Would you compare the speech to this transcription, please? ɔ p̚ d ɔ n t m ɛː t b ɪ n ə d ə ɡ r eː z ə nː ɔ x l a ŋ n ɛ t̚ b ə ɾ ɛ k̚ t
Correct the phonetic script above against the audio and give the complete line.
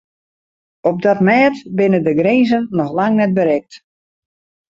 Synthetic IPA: ɔ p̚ d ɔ t m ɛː t b ɪ n ə d ə ɡ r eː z ə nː ɔ x l a ŋ n ɛ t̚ b ə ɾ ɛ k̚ t